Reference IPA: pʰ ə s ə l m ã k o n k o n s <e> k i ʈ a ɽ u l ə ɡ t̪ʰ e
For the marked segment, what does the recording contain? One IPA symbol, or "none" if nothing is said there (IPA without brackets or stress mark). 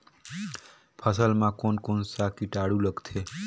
a